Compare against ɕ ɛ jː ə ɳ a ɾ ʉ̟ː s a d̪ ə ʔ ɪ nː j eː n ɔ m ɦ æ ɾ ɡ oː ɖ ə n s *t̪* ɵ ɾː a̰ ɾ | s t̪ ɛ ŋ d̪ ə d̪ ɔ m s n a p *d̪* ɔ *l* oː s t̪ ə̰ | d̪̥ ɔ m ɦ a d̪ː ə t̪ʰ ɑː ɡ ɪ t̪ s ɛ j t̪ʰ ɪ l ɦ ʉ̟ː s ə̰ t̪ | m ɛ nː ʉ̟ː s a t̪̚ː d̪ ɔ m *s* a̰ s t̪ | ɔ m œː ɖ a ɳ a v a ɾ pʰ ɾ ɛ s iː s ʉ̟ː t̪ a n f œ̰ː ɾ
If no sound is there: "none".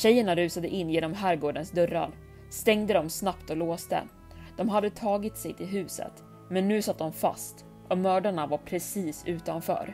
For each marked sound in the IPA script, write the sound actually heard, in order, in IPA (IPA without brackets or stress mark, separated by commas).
d̪, t̪, l, f